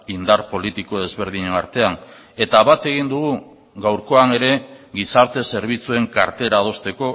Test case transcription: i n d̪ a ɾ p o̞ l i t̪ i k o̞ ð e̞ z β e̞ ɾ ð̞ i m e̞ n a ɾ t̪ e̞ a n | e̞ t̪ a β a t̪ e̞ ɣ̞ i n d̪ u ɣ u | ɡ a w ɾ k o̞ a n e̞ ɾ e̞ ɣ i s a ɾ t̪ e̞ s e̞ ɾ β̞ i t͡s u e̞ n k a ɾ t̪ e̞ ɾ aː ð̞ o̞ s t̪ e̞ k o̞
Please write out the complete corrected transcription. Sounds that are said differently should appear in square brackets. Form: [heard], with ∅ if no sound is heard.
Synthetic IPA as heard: i n d̪ a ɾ p o̞ l i t̪ i k o̞ ð e̞ z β e̞ ɾ ð̞ i [ɲ] e̞ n a ɾ t̪ e̞ a n | e̞ t̪ a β a t̪ e̞ ɣ̞ i n d̪ u ɣ u | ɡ a w ɾ k o̞ a n e̞ ɾ e̞ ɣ i s a ɾ t̪ e̞ s e̞ ɾ β̞ i t͡s u e̞ [ŋ] k a ɾ t̪ e̞ ɾ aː ð̞ o̞ s t̪ e̞ k o̞